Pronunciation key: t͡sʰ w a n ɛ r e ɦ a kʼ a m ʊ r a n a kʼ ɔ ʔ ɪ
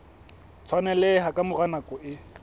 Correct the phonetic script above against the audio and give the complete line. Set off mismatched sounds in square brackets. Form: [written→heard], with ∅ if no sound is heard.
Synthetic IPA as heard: t͡sʰ w a n ɛ [r→l] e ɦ a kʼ a m ʊ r a n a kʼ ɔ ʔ ɪ